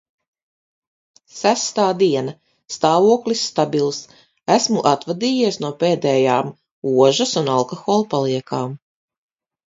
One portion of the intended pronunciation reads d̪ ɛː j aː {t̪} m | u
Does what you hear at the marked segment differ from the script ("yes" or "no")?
yes